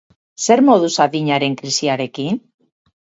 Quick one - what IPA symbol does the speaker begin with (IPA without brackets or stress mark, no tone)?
s